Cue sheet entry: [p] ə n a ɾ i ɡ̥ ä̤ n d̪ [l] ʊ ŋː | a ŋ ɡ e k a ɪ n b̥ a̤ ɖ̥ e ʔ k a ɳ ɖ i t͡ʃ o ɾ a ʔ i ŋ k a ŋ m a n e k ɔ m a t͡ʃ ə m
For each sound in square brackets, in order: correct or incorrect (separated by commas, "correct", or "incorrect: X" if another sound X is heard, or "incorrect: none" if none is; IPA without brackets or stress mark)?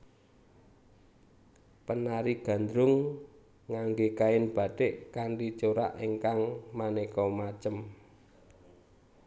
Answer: correct, incorrect: ɾ